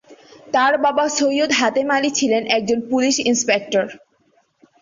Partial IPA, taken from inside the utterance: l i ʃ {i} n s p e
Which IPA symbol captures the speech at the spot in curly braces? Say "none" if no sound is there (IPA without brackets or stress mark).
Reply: i